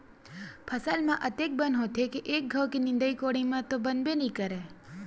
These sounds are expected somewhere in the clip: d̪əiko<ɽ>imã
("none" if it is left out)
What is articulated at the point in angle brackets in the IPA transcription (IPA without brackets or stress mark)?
ɽ